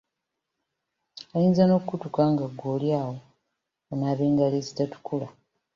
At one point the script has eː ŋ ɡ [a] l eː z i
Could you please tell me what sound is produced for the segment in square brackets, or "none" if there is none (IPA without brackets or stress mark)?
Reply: a